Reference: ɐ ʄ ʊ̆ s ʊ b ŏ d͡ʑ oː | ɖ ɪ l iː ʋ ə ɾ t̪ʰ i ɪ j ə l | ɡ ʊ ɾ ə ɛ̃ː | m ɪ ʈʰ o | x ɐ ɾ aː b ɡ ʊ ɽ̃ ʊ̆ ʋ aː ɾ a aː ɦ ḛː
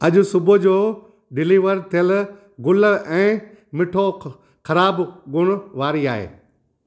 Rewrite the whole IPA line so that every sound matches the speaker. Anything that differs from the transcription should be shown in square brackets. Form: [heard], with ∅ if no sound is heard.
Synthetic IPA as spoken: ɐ ʄ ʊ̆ s ʊ b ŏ d͡ʑ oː | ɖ ɪ l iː ʋ ə ɾ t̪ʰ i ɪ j ə l | ɡ ʊ [l] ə ɛ̃ː | m ɪ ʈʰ o | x ɐ ɾ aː b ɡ ʊ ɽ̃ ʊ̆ ʋ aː ɾ [i] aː ɦ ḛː